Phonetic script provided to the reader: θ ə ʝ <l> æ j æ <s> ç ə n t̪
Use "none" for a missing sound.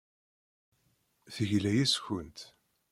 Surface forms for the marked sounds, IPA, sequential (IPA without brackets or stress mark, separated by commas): l, s